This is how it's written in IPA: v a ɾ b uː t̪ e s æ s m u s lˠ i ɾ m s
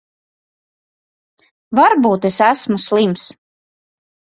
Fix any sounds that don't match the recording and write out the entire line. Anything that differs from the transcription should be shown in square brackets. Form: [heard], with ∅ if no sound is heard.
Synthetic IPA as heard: v a ɾ b uː t̪ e s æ s m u s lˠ i [∅] m s